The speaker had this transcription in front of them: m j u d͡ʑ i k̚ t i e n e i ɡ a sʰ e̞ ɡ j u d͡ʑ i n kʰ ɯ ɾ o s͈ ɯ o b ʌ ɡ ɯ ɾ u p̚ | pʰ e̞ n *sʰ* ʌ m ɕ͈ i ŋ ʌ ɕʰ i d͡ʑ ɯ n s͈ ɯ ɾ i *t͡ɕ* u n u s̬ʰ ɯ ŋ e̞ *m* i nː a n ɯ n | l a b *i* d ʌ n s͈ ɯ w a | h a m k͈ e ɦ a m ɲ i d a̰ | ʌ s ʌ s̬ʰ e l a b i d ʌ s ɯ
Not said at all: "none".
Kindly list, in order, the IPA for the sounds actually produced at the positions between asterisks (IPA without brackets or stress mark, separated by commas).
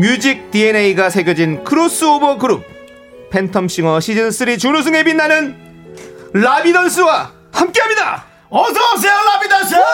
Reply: tʰ, t͡ɕ, b, i